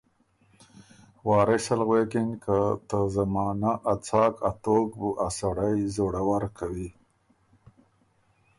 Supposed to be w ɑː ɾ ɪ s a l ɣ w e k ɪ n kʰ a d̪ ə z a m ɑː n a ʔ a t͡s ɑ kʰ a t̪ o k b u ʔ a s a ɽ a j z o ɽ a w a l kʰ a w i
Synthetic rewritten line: w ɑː ɾ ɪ s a l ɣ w e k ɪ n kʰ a t̪ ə z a m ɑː n a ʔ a t͡s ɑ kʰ a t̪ o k b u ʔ a s a ɽ a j z o ɽ a w a ɾ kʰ a w i